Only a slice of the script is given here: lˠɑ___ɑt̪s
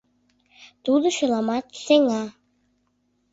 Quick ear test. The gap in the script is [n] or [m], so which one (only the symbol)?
m